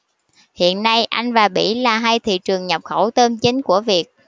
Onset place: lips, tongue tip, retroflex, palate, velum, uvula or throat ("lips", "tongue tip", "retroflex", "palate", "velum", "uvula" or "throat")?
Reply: throat